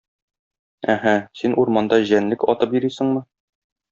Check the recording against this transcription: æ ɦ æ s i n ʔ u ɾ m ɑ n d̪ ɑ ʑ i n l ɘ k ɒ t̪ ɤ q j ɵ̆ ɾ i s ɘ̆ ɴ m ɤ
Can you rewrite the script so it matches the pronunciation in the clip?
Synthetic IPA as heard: æ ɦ æ s i n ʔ u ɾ m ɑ n d̪ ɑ ʑ æ n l ɘ k ɒ t̪ ɤ p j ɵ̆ ɾ i s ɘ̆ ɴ m ɤ